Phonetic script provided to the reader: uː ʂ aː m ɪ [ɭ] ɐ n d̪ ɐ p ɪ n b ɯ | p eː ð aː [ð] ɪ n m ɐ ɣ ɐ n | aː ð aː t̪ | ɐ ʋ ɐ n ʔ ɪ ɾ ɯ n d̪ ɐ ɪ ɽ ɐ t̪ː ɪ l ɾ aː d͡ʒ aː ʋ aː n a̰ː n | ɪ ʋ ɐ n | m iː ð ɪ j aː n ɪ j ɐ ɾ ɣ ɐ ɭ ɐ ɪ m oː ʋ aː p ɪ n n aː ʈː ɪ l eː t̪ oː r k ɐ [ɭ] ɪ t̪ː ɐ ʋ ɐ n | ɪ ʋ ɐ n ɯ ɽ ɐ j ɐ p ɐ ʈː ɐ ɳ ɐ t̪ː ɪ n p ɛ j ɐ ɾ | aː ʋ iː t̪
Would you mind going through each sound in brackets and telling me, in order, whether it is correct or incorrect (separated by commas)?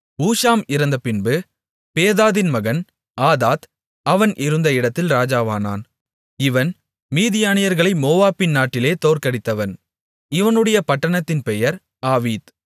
incorrect, correct, incorrect